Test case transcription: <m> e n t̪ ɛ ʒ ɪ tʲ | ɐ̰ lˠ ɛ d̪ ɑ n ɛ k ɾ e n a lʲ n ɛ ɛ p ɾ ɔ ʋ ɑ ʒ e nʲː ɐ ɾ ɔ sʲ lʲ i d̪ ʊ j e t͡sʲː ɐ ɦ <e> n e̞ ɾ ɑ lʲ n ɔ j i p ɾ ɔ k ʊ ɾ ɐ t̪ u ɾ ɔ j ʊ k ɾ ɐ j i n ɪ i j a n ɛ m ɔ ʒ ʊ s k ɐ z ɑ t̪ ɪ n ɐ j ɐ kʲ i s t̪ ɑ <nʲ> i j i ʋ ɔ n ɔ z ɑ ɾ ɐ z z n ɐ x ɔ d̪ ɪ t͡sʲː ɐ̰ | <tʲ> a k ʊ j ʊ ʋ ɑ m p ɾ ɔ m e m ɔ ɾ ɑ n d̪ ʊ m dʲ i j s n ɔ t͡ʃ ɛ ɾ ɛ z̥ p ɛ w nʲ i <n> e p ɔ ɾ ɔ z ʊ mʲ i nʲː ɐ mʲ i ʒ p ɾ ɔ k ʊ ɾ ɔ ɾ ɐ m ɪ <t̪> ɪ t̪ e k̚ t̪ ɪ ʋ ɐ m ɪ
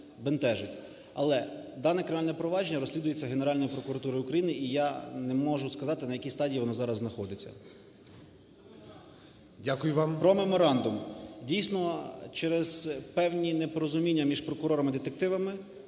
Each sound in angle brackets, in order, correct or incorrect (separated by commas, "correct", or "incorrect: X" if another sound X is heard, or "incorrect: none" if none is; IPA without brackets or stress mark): incorrect: b, correct, incorrect: dʲ, incorrect: dʲ, correct, incorrect: d̪